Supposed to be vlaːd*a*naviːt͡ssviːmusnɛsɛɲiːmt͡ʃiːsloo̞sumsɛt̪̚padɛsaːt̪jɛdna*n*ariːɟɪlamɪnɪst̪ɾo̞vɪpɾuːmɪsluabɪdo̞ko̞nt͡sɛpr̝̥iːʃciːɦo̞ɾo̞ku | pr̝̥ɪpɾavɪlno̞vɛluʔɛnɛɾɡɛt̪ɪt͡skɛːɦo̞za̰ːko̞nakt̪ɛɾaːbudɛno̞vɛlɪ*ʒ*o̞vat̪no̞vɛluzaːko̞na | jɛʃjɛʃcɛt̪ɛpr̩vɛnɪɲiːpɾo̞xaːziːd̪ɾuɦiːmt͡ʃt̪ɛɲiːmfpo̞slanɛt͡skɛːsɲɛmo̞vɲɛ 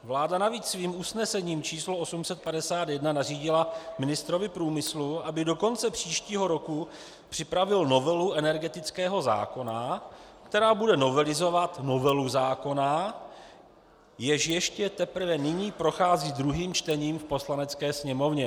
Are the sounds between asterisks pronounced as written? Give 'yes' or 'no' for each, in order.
yes, yes, no

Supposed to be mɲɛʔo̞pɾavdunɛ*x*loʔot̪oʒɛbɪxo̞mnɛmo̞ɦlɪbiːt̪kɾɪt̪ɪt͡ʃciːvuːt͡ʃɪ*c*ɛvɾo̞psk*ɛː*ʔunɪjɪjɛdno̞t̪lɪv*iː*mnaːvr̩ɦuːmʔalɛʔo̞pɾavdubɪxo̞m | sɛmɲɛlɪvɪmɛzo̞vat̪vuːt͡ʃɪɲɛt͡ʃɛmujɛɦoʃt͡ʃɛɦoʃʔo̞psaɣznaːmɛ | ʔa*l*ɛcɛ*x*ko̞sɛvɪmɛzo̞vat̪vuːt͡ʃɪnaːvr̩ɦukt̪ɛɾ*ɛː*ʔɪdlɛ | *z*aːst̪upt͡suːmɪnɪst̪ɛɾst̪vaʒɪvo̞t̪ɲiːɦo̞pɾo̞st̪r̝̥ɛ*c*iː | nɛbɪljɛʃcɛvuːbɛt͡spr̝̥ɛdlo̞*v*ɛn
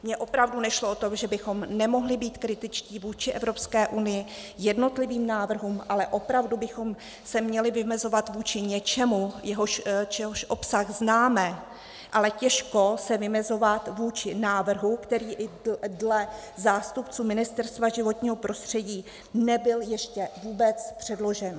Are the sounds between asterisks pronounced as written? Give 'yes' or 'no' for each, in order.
no, no, yes, yes, yes, no, no, yes, no, no

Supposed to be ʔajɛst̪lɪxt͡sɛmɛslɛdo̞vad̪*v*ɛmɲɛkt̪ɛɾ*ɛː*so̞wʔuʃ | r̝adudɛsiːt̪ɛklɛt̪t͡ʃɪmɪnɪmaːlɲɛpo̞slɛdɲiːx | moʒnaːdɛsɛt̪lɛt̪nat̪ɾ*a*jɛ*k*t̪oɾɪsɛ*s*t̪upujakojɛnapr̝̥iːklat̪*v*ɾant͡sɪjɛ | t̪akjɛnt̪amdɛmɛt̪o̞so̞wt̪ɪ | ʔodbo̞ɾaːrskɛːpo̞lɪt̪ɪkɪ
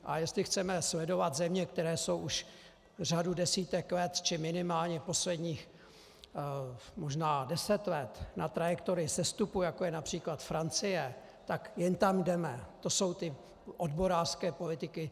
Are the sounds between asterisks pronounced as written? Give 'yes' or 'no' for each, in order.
no, yes, yes, yes, yes, no

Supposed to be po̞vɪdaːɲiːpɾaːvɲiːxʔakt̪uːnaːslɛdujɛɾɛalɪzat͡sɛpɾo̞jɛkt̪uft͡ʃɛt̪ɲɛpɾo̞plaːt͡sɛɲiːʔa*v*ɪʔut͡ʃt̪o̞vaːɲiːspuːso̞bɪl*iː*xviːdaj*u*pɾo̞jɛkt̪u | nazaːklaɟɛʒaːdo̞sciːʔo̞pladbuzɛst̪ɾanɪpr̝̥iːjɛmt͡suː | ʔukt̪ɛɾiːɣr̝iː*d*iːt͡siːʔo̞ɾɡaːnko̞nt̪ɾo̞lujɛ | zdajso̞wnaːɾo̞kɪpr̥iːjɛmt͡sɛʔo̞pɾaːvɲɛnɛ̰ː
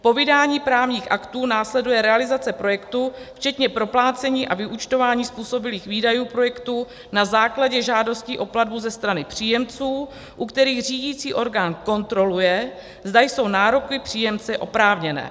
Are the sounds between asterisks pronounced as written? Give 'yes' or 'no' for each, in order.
yes, yes, no, no

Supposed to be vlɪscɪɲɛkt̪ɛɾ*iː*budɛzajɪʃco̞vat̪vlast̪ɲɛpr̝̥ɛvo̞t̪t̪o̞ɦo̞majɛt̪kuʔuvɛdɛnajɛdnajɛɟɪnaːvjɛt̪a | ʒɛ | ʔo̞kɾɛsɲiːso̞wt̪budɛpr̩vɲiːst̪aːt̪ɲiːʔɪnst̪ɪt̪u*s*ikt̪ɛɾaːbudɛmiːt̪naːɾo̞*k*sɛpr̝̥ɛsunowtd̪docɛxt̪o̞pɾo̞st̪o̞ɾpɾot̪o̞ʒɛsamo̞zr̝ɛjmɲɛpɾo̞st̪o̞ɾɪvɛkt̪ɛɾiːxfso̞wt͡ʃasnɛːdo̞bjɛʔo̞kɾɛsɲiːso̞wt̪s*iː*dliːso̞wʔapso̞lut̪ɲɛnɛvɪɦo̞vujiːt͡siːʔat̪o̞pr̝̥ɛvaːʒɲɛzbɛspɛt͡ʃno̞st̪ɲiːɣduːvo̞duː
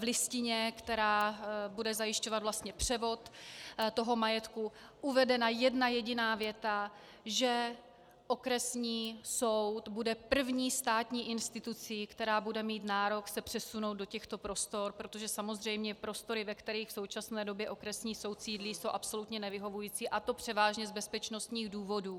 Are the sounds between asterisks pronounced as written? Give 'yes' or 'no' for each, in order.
no, no, yes, yes

